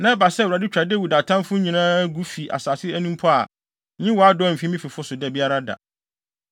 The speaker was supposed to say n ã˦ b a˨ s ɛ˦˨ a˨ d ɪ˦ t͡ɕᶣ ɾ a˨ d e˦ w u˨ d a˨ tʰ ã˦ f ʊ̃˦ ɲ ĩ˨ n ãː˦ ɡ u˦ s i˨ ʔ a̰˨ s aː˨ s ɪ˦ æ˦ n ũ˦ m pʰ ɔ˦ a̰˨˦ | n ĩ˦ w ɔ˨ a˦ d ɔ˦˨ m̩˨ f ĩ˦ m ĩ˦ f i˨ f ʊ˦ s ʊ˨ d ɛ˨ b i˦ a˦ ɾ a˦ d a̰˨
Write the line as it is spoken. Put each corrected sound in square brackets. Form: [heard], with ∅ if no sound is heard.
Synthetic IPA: n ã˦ b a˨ s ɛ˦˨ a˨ d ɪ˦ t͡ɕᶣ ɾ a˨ d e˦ w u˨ d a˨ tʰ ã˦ f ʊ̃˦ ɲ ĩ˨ n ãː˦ ɡ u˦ [f] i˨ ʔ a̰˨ s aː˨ s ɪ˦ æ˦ n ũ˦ m pʰ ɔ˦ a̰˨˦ | [ɲ] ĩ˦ w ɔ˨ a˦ d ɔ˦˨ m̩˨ f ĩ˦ m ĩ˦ f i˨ f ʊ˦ s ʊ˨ d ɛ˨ b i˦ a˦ ɾ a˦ d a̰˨